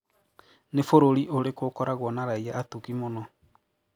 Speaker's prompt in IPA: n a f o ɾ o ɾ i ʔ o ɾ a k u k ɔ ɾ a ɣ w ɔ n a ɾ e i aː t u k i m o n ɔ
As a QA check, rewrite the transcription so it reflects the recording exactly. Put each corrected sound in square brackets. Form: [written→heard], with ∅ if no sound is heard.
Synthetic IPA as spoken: n [a→e] f o ɾ o ɾ i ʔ o ɾ [a→e] k [u→o] k ɔ ɾ a ɣ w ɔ n a ɾ [e→a] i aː t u k i m o n ɔ